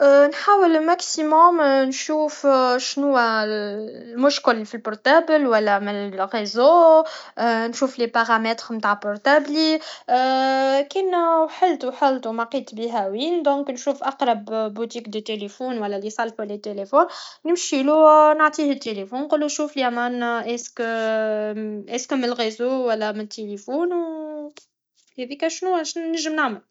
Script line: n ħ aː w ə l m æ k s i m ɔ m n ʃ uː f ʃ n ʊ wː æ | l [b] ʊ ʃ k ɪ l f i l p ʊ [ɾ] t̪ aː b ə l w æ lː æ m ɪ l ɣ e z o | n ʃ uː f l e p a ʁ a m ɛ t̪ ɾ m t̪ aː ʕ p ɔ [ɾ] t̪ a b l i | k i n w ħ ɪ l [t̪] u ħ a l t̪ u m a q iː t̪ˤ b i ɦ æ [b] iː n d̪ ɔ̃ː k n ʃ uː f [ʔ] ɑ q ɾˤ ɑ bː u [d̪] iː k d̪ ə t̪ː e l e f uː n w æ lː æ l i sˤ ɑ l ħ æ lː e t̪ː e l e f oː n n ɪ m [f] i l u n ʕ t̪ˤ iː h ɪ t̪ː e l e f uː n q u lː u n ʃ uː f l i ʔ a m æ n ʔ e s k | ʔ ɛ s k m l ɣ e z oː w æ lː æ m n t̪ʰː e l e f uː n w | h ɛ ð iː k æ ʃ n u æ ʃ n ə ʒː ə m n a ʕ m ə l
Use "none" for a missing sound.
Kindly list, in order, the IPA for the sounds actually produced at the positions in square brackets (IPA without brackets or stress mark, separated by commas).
m, ɾ, ɾ, t̪, w, ʔ, t̪, ʃ